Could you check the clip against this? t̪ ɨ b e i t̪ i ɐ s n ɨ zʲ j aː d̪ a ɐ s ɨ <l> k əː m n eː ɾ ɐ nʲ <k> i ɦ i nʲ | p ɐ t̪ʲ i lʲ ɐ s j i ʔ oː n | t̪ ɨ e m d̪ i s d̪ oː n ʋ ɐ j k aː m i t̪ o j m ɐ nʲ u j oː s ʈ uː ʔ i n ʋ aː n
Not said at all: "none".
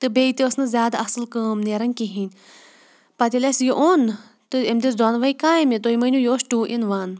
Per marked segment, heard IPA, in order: l, k

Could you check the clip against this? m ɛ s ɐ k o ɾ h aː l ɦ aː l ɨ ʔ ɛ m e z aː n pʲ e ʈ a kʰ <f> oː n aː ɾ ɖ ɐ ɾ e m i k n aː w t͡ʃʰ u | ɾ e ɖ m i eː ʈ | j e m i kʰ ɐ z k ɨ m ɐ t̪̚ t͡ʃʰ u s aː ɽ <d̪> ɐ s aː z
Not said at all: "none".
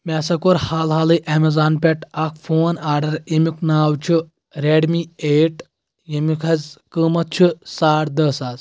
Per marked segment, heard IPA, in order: f, d̪

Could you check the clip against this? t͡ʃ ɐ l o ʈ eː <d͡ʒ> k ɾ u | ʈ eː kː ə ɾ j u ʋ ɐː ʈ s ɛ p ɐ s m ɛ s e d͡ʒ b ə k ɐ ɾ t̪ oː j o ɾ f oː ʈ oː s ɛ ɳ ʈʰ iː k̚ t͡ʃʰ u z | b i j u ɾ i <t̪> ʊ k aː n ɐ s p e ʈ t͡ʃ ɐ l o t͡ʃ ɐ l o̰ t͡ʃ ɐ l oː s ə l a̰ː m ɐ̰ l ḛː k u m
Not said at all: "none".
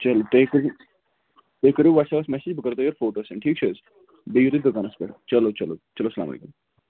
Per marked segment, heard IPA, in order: none, d̪

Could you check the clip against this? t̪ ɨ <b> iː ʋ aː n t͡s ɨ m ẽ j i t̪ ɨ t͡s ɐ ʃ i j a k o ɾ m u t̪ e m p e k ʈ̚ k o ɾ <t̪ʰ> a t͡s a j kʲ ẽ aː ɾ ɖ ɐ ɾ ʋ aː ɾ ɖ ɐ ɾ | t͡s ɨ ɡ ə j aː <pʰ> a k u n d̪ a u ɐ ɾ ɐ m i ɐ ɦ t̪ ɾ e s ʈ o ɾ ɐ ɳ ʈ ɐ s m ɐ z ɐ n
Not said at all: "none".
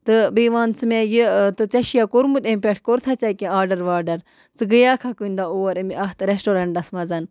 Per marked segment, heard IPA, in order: b, t̪ʰ, kʰ

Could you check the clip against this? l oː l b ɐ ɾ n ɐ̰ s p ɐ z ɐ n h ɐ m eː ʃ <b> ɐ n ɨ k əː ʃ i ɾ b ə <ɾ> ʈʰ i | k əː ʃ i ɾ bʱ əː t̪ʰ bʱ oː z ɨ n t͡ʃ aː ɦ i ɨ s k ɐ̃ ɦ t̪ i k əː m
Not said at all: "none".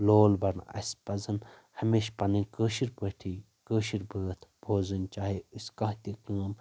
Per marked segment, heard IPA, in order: p, none

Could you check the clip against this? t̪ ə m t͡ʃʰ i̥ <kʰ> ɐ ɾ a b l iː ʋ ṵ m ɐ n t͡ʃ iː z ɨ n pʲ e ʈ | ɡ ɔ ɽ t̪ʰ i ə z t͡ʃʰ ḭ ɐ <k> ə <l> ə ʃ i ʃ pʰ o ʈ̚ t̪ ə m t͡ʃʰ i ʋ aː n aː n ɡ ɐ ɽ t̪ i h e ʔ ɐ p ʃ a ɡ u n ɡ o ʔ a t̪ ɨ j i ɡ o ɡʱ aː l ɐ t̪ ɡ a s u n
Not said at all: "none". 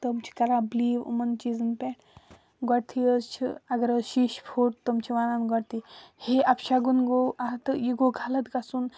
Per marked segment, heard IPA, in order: k, ɡ, ɾ

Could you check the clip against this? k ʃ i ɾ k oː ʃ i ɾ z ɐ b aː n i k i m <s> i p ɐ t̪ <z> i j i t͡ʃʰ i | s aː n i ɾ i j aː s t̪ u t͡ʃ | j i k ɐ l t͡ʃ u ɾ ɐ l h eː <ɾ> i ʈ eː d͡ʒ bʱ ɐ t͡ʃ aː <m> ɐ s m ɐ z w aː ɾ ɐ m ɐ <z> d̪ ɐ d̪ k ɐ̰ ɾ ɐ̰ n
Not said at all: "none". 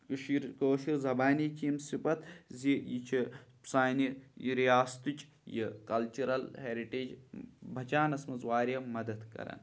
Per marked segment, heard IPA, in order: s, z, ɾ, n, none

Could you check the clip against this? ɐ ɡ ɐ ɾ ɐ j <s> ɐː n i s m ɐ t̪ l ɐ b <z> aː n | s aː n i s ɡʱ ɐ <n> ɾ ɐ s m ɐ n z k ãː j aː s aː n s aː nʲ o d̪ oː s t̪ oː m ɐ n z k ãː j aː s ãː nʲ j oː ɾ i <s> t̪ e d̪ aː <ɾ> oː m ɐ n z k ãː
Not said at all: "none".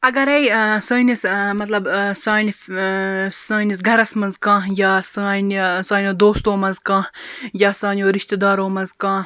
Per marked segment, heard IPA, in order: s, s, none, ʃ, ɾ

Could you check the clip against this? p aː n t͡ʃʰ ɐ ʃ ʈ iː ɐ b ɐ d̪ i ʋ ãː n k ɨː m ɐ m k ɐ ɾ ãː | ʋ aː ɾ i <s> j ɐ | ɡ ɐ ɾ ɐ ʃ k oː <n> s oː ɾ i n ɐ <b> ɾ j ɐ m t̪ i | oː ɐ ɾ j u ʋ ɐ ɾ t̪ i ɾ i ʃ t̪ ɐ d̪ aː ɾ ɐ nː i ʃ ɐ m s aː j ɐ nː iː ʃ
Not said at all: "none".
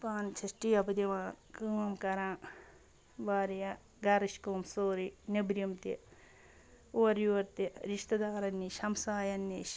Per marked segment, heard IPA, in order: none, m, b

